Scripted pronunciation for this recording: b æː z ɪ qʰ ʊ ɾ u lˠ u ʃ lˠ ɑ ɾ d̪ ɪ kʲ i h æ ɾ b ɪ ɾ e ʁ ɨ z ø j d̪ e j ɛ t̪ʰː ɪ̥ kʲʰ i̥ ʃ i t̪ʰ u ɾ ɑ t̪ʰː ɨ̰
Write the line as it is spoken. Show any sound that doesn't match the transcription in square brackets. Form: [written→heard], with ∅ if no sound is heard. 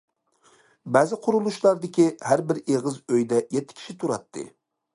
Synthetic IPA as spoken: b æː z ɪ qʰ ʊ ɾ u lˠ u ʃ lˠ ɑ ɾ d̪ ɪ kʲ i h æ ɾ b ɪ ɾ e ʁ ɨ z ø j d̪ [e→ɛ] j ɛ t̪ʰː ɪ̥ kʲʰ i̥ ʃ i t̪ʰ u ɾ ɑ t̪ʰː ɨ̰